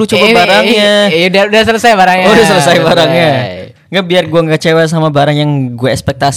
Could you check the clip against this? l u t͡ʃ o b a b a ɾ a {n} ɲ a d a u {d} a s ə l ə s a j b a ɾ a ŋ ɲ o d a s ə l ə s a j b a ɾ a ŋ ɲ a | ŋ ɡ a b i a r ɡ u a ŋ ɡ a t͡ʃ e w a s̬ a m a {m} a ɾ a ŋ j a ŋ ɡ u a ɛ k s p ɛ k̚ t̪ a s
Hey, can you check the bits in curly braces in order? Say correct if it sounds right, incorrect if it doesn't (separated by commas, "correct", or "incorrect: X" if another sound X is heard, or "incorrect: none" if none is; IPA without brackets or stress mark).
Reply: incorrect: ŋ, correct, incorrect: b